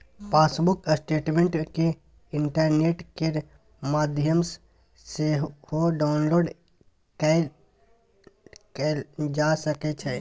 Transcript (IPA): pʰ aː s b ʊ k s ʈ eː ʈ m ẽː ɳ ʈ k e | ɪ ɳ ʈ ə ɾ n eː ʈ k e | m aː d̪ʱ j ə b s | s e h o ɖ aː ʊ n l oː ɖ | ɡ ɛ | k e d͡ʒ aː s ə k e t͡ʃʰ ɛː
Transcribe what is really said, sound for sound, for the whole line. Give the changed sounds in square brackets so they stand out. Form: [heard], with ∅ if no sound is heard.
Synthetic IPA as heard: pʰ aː s b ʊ k s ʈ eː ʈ m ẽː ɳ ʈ k e | ɪ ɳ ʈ ə ɾ n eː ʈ k e | m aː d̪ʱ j ə [m] s | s e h o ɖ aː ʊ n l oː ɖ | [k] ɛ | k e d͡ʒ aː s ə k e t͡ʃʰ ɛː